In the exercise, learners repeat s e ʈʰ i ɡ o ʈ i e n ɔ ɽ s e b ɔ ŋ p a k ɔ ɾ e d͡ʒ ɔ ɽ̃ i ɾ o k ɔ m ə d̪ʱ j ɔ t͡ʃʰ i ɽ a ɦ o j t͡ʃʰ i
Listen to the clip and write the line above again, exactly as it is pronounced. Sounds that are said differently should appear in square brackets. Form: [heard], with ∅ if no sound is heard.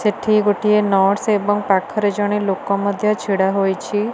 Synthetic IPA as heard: s e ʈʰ i ɡ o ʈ i e n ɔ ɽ s e b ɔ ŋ p a [kʰ] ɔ ɾ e d͡ʒ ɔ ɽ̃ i [l] o k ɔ m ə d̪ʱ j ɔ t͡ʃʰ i ɽ a ɦ o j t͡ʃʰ i